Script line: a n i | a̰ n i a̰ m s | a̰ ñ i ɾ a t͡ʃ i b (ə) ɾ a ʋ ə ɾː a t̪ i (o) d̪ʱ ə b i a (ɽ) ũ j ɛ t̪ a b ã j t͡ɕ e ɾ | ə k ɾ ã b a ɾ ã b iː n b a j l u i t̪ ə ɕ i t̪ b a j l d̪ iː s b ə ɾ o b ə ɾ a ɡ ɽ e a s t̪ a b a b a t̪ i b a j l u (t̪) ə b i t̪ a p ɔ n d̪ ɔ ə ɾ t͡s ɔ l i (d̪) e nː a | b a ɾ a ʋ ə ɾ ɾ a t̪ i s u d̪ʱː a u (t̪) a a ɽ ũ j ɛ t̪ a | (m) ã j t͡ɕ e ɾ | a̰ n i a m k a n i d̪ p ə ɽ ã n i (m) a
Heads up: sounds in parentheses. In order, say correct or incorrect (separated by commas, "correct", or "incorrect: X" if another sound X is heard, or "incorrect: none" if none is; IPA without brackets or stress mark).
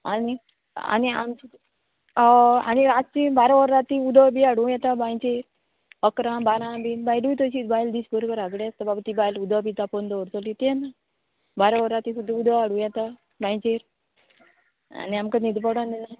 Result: incorrect: a, incorrect: u, correct, incorrect: d̪, incorrect: t̪, incorrect: d̪, incorrect: b, incorrect: n